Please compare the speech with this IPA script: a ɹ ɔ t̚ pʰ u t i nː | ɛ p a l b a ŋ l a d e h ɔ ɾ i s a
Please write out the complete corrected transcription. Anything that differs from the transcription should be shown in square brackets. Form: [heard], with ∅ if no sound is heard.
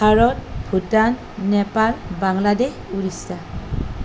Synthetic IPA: a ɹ ɔ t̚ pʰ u t [a] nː | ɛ p a l b a ŋ l a d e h [u] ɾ i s a